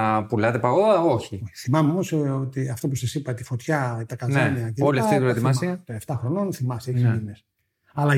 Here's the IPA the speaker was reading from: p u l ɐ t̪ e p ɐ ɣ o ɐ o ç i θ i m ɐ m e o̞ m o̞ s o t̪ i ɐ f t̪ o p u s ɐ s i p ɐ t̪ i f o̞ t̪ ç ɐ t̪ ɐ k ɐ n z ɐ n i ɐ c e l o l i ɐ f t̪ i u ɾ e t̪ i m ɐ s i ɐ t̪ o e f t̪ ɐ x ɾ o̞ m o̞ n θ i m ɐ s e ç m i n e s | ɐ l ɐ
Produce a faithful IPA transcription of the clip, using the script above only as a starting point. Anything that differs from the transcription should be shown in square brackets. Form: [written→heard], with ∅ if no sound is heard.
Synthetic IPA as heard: p u l ɐ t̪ e p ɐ ɣ o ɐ o ç i θ i m ɐ m e o̞ m o̞ s o t̪ i ɐ f t̪ o p u s ɐ s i p ɐ t̪ i f o̞ t̪ ç ɐ t̪ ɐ k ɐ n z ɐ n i ɐ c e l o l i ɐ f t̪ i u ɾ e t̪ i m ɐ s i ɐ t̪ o e f t̪ ɐ x ɾ o̞ [m→n] o̞ n θ i m ɐ s e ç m i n e s | ɐ l ɐ